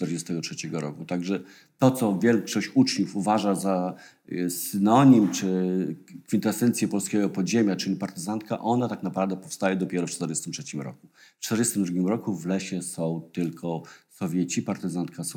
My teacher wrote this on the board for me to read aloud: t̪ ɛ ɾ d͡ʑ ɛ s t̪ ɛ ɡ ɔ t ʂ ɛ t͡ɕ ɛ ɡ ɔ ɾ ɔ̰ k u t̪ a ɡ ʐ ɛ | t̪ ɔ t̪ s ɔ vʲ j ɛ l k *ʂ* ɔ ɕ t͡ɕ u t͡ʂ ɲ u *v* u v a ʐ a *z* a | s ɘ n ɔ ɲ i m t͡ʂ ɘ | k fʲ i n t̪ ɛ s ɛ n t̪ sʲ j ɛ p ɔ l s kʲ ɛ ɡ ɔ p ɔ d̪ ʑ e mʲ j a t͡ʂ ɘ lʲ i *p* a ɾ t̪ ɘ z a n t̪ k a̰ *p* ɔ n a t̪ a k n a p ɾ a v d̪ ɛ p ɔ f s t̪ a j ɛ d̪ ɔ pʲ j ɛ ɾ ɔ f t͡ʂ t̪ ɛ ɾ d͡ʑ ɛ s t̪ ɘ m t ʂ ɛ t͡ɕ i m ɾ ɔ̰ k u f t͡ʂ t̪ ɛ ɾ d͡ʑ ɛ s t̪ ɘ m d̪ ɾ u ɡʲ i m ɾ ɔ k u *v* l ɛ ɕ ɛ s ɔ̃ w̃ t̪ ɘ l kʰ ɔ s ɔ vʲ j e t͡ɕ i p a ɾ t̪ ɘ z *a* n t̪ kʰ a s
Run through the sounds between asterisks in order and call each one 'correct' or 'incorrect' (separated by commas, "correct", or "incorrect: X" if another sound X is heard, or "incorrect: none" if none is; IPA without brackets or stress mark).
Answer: correct, incorrect: f, correct, correct, incorrect: ʔ, correct, correct